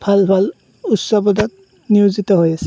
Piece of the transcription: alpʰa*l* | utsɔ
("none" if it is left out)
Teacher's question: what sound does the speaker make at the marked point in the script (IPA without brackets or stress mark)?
l